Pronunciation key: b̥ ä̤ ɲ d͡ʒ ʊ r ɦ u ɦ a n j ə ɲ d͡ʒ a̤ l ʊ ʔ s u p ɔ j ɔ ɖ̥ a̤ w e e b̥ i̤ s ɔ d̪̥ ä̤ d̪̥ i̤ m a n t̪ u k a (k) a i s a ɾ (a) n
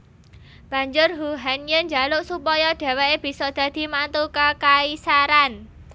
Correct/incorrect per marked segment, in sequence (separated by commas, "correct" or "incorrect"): correct, correct